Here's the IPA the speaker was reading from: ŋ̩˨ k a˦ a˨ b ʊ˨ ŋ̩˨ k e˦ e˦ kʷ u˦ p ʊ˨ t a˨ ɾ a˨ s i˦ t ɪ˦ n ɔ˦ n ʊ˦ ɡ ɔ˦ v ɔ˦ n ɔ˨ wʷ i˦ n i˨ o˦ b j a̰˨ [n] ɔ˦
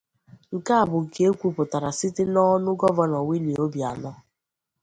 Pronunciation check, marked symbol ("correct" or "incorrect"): correct